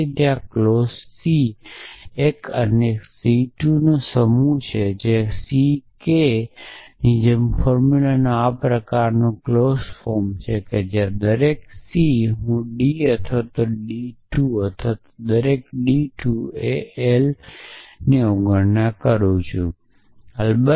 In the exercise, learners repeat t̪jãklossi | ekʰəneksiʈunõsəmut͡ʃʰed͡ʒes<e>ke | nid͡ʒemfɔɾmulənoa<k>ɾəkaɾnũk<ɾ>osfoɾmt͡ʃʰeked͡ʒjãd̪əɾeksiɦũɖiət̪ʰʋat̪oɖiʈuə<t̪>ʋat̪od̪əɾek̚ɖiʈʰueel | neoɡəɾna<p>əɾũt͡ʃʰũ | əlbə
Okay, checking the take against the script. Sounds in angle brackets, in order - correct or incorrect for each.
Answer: incorrect: i, incorrect: p, incorrect: l, incorrect: t̪ʰ, incorrect: k

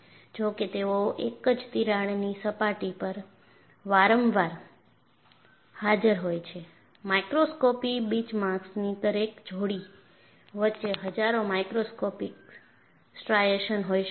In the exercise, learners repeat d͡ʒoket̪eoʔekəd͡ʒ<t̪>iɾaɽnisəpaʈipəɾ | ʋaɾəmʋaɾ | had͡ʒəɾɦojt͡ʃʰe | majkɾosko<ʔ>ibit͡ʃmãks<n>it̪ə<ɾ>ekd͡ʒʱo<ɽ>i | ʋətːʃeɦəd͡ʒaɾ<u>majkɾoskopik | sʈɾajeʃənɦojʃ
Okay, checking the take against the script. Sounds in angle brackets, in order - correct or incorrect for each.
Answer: correct, incorrect: p, correct, correct, correct, incorrect: o

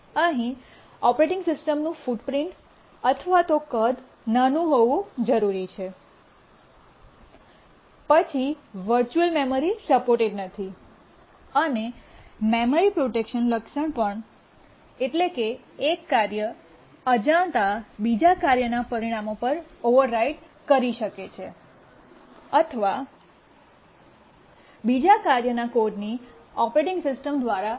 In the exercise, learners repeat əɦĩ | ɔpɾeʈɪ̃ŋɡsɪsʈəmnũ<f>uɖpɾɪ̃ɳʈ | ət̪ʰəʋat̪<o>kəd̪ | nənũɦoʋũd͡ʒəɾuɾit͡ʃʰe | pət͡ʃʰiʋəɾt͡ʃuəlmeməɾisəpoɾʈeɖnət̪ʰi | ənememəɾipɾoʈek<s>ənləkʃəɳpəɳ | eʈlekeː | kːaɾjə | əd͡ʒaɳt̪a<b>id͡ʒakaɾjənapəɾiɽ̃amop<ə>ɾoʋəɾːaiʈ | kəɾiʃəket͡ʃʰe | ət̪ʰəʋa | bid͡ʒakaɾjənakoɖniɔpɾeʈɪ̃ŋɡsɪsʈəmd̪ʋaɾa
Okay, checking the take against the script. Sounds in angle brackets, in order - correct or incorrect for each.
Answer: correct, correct, incorrect: ʃ, correct, correct

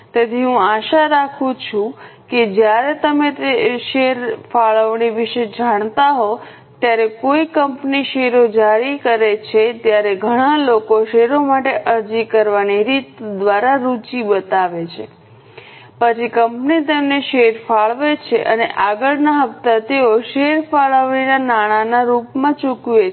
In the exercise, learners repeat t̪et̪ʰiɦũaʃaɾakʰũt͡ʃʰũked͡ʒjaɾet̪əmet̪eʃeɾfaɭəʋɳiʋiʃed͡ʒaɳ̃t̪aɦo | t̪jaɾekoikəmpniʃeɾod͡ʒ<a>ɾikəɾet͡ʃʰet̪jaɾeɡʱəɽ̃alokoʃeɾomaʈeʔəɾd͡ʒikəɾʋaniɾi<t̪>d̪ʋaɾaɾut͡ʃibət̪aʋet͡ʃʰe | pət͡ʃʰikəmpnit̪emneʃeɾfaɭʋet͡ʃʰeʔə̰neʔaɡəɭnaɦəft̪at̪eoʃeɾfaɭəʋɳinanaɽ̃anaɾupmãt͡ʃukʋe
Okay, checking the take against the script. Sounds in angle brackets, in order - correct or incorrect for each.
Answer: correct, correct

